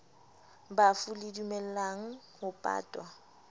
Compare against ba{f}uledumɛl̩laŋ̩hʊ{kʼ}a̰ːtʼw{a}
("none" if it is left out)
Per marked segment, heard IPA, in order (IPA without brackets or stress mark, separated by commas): f, pʼ, a